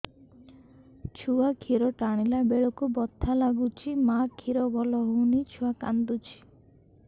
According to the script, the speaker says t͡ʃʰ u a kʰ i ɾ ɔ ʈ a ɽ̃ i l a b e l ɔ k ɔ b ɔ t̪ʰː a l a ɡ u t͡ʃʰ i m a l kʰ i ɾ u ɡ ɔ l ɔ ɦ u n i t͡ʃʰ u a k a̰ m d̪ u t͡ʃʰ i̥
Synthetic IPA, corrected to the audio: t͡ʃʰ u a kʰ i ɾ ɔ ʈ a ɽ̃ i l a b e ɭ ɔ k u b ɔ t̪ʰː a l a ɡ u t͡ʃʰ i m a kʰ i ɾ ɔ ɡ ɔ l ɔ ɦ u n i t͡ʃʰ u a k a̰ n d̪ u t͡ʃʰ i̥